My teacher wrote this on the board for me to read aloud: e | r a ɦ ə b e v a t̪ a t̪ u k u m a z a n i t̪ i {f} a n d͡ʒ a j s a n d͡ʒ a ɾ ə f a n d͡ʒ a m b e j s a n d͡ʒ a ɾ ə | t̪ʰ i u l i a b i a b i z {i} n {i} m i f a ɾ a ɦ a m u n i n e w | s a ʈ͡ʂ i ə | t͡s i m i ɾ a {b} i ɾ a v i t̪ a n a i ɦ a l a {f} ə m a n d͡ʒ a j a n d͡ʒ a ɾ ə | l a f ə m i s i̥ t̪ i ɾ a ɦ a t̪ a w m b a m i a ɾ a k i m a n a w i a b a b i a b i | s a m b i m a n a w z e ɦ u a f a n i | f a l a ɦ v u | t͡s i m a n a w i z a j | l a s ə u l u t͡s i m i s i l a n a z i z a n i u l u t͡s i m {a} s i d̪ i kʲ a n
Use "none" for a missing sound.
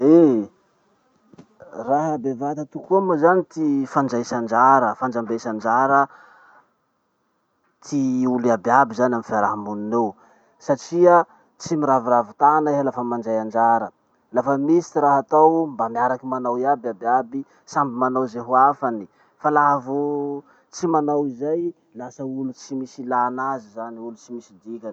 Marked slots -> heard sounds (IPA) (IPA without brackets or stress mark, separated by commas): f, a, a, v, f, i